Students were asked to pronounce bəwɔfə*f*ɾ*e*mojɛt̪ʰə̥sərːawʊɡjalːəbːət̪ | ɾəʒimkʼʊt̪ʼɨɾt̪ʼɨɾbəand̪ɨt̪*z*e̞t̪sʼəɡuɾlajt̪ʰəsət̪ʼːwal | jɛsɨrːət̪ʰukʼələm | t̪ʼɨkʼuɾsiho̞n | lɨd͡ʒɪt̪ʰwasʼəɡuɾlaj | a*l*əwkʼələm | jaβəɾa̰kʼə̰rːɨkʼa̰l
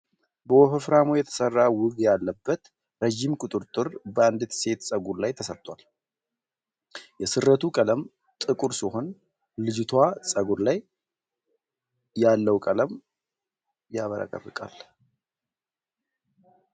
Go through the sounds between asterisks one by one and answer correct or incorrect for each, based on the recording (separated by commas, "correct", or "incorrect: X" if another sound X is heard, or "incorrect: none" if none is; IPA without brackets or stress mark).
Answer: correct, incorrect: a, incorrect: s, incorrect: lː